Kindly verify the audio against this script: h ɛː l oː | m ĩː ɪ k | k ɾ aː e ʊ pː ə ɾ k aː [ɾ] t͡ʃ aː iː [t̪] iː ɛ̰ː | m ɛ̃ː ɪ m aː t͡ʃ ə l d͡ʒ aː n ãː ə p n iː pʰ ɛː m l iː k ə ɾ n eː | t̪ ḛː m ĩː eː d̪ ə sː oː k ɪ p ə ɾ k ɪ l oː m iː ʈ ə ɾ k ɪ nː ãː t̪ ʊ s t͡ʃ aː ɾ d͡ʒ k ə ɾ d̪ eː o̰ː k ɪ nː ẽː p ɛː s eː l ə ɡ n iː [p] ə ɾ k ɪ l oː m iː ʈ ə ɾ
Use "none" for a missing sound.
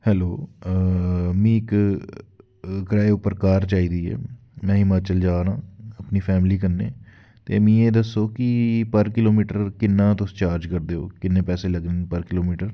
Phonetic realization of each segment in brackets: ɾ, d̪, p

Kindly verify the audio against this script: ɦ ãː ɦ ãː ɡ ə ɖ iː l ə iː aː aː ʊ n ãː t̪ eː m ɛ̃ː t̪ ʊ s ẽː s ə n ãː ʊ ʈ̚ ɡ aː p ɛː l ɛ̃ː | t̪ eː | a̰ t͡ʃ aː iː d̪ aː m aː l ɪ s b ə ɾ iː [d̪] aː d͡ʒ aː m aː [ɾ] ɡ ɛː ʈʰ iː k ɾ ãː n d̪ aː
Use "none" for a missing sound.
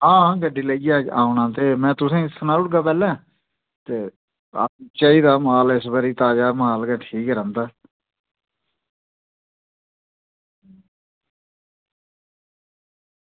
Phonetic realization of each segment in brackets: t̪, l

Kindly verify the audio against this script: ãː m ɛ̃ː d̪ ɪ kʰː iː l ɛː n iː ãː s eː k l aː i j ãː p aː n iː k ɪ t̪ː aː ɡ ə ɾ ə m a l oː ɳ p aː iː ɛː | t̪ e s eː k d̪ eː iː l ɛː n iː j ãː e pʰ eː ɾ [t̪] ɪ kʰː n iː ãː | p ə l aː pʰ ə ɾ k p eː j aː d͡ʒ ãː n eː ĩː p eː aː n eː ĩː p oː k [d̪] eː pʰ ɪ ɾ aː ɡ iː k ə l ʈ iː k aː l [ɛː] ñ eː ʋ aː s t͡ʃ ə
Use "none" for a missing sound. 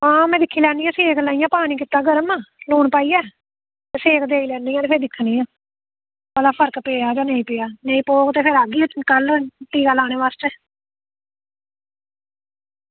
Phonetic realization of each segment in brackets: d̪, t̪, aː

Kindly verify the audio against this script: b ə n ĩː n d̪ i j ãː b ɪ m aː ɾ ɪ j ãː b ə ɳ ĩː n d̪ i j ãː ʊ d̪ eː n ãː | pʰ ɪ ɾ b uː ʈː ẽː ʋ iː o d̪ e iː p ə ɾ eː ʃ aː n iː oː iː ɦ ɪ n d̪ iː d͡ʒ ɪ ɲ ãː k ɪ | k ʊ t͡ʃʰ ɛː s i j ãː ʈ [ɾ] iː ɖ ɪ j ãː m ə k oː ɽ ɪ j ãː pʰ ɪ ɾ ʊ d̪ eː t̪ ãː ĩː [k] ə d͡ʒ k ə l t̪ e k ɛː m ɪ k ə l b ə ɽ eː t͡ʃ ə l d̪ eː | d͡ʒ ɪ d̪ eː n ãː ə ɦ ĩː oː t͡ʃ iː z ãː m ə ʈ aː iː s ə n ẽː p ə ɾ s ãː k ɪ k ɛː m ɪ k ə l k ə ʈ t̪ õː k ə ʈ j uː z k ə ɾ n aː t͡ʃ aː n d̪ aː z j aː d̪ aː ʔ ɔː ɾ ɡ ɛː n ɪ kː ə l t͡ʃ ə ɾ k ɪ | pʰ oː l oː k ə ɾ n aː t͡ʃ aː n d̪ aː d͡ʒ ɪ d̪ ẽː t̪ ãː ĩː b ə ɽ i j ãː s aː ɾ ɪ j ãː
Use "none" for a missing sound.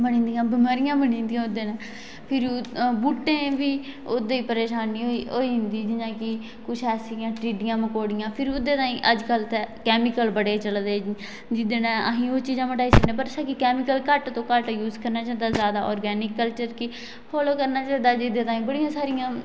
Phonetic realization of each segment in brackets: ɾ, ʔ

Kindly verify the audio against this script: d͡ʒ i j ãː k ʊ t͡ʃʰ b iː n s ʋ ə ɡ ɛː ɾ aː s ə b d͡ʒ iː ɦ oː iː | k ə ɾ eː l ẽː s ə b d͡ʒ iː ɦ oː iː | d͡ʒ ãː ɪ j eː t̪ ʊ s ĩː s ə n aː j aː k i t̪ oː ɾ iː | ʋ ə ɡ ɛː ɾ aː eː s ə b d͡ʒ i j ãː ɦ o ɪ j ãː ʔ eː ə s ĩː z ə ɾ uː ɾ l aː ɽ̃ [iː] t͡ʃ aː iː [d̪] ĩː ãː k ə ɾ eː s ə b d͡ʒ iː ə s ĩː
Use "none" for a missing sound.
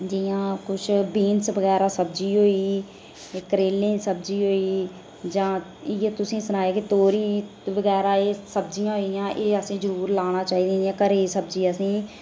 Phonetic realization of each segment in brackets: aː, d̪

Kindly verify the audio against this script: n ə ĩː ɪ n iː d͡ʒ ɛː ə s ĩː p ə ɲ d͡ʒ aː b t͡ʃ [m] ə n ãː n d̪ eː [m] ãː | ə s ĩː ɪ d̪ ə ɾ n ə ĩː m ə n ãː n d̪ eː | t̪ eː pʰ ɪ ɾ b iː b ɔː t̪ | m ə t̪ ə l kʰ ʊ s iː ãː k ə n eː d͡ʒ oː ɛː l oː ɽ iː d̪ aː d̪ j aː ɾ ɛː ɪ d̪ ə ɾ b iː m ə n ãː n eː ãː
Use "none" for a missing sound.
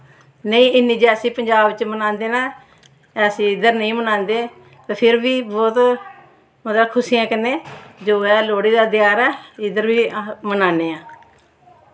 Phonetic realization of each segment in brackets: m, n

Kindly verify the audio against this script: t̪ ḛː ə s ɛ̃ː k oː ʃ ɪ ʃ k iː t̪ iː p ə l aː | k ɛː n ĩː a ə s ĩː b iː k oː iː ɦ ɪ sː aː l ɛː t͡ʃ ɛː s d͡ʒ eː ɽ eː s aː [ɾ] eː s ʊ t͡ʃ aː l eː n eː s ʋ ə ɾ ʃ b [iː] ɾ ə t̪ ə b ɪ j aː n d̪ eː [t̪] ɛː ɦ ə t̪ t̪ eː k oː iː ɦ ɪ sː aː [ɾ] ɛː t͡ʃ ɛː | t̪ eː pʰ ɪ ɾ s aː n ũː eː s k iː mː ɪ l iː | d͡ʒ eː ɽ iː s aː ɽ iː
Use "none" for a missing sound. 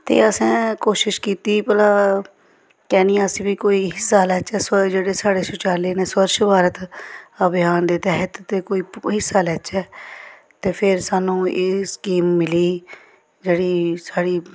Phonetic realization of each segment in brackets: ɽ, aː, t̪, l

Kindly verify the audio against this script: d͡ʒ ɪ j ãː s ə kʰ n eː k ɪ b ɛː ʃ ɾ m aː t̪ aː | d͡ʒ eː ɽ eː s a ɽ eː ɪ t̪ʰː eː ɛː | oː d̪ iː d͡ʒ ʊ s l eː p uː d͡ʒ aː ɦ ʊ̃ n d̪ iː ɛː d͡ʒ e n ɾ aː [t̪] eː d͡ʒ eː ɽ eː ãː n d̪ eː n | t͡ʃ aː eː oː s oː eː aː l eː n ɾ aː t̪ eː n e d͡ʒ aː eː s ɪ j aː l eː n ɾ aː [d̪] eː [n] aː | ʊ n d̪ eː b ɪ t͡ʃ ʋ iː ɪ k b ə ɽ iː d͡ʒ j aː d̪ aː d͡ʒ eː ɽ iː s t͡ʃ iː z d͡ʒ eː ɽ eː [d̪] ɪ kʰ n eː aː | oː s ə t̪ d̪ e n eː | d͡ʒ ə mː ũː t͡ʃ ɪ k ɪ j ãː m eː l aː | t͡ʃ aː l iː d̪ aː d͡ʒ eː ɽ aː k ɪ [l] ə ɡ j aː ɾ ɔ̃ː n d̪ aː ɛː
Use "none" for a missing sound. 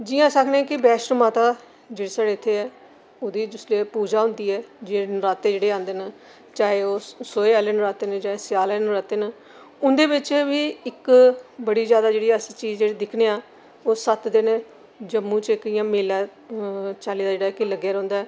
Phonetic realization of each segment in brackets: t̪, t̪, n, d̪, l

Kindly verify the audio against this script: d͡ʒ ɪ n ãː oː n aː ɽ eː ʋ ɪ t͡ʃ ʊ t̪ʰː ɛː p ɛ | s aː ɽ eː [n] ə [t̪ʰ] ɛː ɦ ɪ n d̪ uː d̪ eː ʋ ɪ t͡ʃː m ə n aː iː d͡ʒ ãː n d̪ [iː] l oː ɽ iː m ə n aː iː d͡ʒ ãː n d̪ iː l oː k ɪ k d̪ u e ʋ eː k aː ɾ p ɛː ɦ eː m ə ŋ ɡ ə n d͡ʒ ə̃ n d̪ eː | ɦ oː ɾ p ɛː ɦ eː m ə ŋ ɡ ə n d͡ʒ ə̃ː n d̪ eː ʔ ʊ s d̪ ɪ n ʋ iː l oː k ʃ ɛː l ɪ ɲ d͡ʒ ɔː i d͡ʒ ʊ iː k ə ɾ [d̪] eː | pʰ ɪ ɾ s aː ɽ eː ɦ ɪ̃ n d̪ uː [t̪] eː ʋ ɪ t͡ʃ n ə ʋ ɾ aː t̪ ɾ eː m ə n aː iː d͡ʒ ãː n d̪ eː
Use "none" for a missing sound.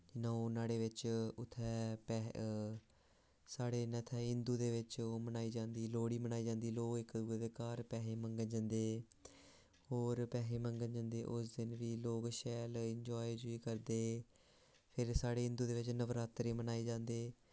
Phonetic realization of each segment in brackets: n, t̪ʰ, iː, d̪, d̪

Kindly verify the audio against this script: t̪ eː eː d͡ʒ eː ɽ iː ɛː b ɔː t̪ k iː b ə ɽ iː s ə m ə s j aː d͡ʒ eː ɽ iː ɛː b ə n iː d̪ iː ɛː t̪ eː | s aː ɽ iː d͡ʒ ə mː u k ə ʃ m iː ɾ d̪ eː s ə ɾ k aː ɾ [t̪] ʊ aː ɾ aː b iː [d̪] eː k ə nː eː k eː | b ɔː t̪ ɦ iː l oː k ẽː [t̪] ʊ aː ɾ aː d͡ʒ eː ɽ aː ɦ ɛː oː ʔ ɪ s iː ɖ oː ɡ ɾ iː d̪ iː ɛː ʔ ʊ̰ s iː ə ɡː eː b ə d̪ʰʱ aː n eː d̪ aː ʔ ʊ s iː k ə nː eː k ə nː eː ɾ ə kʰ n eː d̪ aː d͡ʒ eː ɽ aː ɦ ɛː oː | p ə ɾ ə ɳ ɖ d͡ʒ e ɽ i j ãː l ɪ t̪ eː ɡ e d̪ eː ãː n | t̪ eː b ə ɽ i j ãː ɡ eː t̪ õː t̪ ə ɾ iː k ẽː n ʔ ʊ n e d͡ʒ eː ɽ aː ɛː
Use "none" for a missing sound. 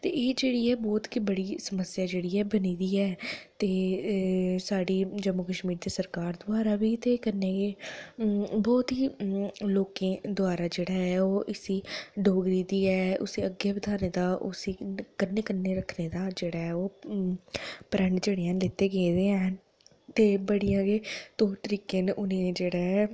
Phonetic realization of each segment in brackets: d̪, t̪, d̪

